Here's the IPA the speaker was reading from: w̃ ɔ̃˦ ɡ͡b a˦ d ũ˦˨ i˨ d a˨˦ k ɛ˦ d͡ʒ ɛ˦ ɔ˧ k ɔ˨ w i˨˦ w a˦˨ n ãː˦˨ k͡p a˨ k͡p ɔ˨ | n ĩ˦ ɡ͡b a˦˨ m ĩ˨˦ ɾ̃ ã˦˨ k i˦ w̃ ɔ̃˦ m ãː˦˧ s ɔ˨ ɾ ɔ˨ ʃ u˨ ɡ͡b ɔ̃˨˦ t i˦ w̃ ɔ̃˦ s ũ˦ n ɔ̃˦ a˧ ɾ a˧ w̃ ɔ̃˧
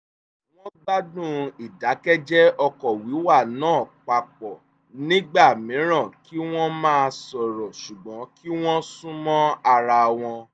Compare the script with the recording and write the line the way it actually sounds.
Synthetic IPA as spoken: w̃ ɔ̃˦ ɡ͡b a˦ d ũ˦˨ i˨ d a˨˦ k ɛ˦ d͡ʒ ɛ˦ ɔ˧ k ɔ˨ w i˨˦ w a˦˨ n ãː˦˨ k͡p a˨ k͡p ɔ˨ | n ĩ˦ ɡ͡b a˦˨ m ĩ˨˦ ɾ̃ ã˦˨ k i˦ w̃ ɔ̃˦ m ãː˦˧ s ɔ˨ ɾ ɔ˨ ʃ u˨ ɡ͡b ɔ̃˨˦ k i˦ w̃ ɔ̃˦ s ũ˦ m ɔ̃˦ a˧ ɾ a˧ w̃ ɔ̃˧

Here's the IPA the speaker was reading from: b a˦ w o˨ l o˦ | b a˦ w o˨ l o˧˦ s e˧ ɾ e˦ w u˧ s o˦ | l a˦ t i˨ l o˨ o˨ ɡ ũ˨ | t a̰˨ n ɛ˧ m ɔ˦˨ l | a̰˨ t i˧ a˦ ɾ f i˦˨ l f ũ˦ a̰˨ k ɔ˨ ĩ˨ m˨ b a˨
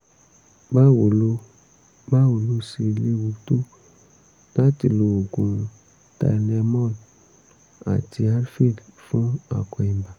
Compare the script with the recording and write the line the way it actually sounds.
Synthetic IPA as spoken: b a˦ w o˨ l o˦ | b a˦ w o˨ l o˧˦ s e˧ l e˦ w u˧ t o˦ | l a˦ t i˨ l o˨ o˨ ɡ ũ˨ | t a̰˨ n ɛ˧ m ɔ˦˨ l | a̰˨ t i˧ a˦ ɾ f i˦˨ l f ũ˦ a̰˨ k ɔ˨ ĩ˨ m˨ b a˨

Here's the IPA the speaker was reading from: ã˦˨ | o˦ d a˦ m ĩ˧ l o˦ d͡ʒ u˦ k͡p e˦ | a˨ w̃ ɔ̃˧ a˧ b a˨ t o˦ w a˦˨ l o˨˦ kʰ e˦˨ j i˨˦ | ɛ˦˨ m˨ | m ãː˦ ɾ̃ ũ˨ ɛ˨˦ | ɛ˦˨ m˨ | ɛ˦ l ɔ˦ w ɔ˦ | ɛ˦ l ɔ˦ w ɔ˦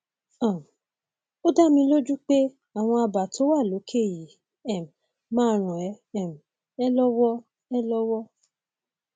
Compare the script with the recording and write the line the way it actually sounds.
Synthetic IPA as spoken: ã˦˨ | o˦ d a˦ m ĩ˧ l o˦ d͡ʒ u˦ k͡p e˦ | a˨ w̃ ɔ̃˧ a˧ b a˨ t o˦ w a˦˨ l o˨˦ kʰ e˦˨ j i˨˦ | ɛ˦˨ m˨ | m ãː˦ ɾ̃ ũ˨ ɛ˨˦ | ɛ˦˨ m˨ | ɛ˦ l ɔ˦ w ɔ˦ | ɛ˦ l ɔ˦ w ɔ˦

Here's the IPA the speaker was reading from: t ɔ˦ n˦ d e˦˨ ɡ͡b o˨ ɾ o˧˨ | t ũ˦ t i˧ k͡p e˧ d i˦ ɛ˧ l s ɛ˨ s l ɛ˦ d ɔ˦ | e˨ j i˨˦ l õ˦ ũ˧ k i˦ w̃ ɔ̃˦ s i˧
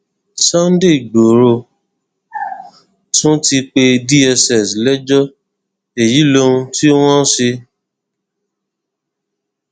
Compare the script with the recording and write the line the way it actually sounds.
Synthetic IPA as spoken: s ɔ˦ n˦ d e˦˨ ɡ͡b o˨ ɾ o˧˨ | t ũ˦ t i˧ k͡p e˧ d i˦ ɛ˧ s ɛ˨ s l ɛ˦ d͡ʒ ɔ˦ | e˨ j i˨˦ l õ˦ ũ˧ t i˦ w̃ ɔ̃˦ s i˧

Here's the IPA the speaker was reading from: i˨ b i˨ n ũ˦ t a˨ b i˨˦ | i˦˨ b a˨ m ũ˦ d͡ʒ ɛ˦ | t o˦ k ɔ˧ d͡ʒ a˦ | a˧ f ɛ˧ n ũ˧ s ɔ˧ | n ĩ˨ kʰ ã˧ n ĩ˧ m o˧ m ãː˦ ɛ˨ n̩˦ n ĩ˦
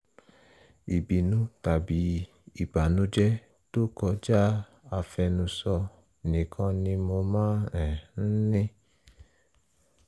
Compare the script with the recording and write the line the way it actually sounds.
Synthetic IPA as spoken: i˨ b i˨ n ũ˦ t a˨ b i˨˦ | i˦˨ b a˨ n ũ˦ d͡ʒ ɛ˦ | t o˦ k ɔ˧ d͡ʒ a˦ | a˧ f ɛ˧ n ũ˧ s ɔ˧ | n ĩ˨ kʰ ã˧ n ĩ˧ m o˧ m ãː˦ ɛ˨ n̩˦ n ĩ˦

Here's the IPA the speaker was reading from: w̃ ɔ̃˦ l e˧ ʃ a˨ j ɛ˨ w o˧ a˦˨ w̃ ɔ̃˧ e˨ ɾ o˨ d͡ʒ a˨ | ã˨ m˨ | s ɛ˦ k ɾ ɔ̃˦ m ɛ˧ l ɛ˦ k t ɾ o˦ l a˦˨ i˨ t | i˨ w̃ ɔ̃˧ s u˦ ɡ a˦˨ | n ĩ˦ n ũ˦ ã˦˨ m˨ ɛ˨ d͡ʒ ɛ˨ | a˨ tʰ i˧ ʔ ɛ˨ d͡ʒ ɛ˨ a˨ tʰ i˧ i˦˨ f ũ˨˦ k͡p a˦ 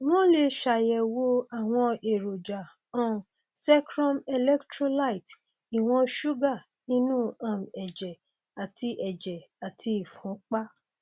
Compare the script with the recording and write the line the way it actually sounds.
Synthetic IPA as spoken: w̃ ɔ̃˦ l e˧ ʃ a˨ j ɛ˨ w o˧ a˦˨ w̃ ɔ̃˧ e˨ ɾ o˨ d͡ʒ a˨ | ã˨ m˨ | s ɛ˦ k ɾ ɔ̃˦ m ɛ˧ l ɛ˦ k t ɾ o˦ l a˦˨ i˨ t | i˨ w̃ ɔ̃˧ ʃ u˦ ɡ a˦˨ | n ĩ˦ n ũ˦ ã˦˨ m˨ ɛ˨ d͡ʒ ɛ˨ | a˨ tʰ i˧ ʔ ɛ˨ d͡ʒ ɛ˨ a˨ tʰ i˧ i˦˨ f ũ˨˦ k͡p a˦

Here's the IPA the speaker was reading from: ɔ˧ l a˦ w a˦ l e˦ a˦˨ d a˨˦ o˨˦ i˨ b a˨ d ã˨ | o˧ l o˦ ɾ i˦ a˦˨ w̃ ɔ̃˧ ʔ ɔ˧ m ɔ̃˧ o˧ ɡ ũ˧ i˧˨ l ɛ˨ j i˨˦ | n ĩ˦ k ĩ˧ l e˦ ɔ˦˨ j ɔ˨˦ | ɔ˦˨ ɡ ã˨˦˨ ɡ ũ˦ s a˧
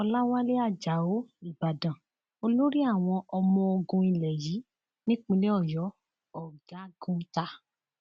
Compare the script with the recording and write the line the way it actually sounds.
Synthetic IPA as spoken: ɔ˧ l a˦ w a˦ l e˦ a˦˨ d͡ʒ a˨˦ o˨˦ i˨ b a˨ d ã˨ | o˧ l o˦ ɾ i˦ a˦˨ w̃ ɔ̃˧ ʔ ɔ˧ m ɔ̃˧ o˧ ɡ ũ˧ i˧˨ l ɛ˨ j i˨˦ | n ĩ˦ k͡p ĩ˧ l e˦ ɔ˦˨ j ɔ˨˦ | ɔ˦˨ ɡ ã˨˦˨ ɡ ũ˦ t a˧

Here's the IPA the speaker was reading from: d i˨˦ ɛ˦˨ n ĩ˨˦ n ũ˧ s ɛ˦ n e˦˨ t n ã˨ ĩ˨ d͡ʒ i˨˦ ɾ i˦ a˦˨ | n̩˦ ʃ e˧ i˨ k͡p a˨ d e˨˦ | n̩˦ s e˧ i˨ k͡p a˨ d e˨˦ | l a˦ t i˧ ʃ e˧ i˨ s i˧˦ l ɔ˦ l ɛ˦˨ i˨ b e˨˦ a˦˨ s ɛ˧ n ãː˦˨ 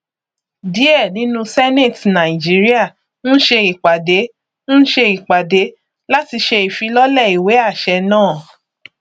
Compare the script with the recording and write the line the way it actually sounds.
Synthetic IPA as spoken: d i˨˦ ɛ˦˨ n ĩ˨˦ n ũ˧ s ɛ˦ n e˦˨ t n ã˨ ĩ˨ d͡ʒ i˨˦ ɾ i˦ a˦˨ | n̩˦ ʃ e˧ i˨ k͡p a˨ d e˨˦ | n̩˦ ʃ e˧ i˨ k͡p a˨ d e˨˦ | l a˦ t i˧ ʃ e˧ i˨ f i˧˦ l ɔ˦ l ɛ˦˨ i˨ w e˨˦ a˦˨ ʃ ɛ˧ n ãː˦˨

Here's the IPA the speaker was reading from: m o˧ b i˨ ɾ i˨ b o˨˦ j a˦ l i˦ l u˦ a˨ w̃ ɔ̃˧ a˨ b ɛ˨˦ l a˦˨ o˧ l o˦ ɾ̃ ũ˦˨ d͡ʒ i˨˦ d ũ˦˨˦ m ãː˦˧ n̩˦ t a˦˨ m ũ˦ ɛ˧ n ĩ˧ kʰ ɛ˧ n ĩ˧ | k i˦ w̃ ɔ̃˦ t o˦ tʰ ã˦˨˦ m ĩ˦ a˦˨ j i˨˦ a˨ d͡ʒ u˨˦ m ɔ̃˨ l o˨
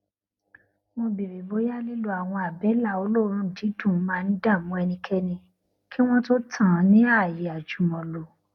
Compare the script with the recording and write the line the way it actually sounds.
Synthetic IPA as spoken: m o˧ b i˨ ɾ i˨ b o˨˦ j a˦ l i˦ l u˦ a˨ w̃ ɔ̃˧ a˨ b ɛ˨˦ l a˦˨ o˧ l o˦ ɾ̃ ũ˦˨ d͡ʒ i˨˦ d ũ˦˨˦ m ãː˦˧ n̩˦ d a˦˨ m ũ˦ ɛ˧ n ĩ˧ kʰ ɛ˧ n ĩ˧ | k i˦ w̃ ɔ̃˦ t o˦ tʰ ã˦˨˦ n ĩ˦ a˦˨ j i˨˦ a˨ d͡ʒ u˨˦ m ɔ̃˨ l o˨

